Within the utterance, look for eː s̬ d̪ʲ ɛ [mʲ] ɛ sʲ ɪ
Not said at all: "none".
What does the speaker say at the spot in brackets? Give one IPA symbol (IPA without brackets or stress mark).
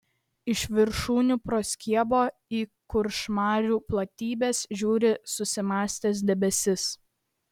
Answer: bʲ